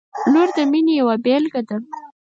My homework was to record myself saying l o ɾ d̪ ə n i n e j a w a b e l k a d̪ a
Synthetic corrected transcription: l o ɾ d̪ ə m i n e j a w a b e l ɡ a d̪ a